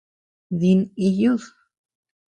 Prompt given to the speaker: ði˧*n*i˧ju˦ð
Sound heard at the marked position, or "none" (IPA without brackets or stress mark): n